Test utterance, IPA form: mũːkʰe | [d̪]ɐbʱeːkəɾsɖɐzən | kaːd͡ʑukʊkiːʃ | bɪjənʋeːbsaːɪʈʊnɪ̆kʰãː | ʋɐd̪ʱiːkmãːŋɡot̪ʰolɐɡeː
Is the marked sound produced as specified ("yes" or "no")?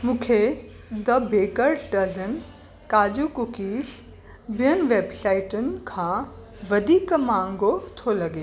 yes